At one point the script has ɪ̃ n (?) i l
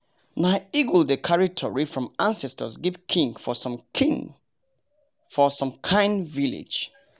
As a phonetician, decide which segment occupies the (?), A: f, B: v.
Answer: B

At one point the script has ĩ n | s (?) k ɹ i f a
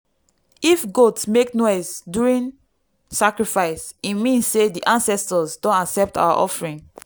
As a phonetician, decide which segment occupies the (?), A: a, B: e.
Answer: A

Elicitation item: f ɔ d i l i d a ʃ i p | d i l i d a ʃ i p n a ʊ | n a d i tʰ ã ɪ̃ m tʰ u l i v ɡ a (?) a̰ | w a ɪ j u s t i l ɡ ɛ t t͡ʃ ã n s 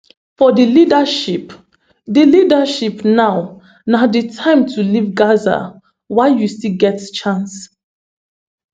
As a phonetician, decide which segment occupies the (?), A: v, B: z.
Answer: B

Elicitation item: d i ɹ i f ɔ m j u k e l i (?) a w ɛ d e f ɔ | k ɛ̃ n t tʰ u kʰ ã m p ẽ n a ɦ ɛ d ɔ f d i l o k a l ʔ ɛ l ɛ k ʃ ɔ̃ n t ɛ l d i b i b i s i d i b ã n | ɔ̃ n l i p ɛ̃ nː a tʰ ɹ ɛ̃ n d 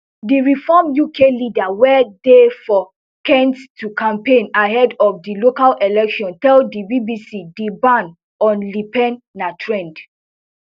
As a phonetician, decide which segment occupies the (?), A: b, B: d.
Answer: B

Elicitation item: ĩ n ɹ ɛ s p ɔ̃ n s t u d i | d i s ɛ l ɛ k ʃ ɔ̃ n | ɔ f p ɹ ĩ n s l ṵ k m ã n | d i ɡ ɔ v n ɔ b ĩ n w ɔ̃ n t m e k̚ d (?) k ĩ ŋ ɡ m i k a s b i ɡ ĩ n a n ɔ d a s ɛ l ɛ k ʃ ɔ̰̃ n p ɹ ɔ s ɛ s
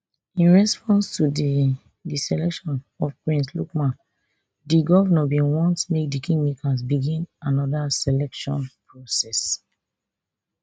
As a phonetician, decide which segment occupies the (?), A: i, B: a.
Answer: A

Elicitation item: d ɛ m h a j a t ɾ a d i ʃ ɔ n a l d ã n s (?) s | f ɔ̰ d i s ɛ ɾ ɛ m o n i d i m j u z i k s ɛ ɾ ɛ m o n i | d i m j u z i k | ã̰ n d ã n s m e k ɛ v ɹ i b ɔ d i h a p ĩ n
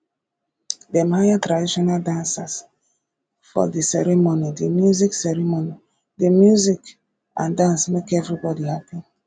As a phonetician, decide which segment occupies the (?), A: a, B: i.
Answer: A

